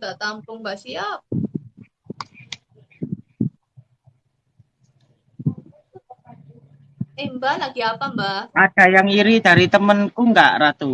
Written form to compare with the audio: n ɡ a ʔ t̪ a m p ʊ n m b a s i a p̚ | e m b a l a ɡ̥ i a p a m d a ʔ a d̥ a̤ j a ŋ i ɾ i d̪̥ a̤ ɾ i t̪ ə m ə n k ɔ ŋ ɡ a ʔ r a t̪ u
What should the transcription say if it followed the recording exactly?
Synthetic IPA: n d a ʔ t̪ a m p ʊ ŋ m b a s i a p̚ | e m b a l a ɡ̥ i a p a m b a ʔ a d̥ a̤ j a ŋ i ɾ i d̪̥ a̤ ɾ i t̪ ə m ə n k u ŋ ɡ a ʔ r a t̪ u